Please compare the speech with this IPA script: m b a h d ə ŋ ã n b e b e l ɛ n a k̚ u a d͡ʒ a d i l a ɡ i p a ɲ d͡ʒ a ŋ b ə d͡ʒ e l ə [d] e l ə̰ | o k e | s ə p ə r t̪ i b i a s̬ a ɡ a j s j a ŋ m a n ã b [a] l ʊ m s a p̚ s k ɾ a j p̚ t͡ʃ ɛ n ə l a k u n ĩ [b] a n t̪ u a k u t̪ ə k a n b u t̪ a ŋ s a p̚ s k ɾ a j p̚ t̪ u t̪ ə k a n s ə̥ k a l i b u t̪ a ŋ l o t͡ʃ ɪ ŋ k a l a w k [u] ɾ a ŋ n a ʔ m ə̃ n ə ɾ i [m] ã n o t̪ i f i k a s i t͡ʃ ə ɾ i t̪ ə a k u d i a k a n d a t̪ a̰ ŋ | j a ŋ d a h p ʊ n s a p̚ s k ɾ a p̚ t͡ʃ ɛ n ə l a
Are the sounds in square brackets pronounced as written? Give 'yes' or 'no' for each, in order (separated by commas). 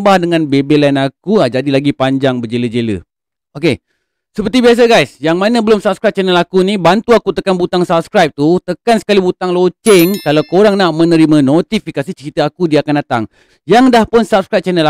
no, no, yes, no, yes